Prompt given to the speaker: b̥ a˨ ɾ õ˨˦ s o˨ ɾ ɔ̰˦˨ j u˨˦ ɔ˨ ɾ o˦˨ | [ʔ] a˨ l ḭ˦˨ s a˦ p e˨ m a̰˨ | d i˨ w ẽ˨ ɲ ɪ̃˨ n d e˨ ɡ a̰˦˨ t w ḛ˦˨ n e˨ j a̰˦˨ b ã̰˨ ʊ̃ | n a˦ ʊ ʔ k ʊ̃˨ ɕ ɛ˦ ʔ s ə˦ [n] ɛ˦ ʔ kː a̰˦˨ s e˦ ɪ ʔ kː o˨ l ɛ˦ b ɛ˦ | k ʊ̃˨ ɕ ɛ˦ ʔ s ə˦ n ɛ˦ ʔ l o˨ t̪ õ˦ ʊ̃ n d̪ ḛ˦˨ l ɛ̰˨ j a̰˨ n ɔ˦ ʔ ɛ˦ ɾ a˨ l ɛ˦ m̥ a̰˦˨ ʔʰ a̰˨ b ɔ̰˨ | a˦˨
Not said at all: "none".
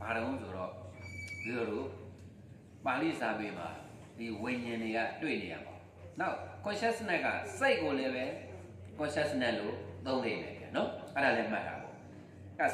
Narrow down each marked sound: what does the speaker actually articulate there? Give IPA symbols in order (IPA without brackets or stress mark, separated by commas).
p, n